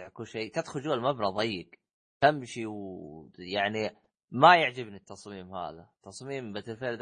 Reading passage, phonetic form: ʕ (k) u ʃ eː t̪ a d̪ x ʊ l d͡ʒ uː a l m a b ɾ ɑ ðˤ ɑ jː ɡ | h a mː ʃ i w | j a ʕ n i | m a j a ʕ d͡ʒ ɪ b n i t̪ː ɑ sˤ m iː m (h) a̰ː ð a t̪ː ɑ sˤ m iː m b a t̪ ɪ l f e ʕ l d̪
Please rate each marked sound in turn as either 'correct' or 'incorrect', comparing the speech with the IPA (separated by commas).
correct, correct